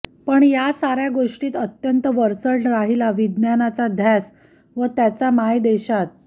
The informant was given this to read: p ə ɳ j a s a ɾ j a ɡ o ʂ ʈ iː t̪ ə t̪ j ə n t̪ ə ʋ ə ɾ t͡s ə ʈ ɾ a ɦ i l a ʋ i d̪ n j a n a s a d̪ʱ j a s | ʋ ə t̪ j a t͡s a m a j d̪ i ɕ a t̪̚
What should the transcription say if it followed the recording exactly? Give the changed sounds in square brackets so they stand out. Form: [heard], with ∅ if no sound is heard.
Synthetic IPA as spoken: p ə ɳ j a s a ɾ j a ɡ o ʂ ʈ iː t̪ ə t̪ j ə n t̪ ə ʋ ə ɾ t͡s ə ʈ ɾ a ɦ i l a ʋ i d̪ n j a n a [t͡s] a d̪ʱ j a s | ʋ ə t̪ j a t͡s a m a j d̪ [e] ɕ a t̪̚